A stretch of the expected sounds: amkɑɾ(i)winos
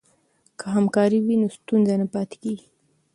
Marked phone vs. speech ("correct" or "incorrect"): correct